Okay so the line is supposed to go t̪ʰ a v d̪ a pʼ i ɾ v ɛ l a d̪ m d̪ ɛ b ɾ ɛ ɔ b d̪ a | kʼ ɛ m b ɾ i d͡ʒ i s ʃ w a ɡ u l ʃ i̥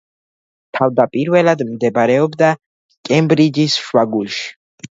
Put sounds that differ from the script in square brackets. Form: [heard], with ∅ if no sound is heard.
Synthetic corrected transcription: t̪ʰ a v d̪ a pʼ i ɾ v ɛ l a d̪ m d̪ ɛ b ɾ ɛ ɔ b d̪ a | kʼ ɛ m b ɾ i d͡ʒ i s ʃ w a ɡ u l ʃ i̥